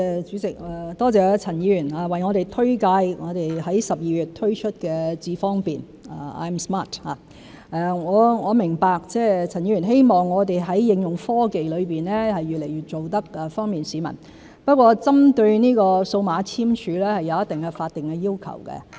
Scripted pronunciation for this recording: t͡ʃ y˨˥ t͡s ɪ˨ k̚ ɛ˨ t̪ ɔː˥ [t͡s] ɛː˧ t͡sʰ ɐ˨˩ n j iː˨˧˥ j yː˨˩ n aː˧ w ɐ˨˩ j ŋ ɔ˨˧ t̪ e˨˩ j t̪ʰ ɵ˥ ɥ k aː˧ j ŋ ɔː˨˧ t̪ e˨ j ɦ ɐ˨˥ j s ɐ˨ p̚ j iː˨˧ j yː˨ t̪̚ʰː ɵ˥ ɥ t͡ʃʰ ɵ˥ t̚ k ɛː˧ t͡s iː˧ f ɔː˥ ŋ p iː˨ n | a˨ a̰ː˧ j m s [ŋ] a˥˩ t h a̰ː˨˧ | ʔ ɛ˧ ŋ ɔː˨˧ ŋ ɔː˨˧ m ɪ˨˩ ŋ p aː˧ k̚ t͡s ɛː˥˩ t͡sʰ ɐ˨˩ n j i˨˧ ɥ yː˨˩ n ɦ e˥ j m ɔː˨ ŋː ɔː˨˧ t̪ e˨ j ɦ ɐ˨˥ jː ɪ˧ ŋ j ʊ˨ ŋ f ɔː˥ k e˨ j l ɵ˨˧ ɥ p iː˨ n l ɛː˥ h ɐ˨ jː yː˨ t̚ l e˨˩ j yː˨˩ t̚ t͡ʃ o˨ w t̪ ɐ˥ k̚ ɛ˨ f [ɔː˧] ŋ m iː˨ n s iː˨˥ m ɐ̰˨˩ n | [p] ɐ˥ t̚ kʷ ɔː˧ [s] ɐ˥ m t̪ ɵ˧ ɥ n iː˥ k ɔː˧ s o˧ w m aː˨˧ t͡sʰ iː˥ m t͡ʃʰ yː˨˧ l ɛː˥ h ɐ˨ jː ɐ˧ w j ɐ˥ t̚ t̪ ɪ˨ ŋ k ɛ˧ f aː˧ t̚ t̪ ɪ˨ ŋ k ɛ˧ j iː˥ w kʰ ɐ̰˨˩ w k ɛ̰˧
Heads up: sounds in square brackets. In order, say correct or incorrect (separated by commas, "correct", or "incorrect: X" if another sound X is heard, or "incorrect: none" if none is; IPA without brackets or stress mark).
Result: correct, incorrect: m, incorrect: ɔː˥, correct, incorrect: t͡s